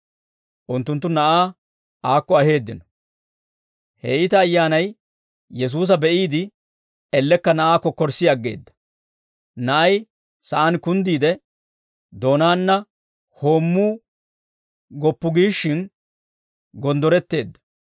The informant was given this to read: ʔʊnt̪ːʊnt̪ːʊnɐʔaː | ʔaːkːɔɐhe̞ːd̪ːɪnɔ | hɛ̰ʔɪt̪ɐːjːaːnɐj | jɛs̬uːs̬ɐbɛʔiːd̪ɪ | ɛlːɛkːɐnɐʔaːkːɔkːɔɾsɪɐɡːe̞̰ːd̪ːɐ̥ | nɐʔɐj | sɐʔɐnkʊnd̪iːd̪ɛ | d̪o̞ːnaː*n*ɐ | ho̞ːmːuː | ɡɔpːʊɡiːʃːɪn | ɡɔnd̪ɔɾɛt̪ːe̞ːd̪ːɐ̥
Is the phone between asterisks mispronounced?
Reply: yes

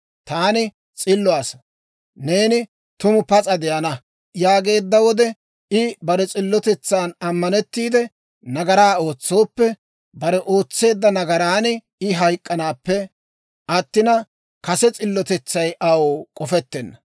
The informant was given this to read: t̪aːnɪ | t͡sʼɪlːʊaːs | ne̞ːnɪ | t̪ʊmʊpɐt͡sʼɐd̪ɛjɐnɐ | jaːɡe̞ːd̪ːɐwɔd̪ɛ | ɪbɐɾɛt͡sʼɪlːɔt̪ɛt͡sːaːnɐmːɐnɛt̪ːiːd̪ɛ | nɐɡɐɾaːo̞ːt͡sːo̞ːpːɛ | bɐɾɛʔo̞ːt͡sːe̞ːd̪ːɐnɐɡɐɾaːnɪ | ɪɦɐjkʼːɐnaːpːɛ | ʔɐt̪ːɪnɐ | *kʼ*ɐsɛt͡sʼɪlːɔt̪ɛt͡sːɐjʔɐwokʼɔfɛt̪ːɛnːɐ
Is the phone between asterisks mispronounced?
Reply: yes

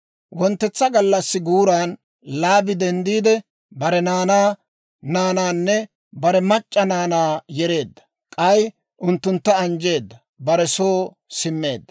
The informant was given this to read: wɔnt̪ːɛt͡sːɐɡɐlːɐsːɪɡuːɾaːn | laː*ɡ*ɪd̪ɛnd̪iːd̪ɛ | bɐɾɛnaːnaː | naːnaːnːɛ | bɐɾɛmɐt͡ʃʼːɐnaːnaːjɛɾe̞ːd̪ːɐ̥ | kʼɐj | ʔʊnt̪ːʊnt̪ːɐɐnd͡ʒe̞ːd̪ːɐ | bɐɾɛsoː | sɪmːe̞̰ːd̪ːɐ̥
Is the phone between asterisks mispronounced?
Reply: yes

